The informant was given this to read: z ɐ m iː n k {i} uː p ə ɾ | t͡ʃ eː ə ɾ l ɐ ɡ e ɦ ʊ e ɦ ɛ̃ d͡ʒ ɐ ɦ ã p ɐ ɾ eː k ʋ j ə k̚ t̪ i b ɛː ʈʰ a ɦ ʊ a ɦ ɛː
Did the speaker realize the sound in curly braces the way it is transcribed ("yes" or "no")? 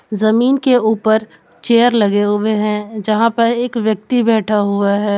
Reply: no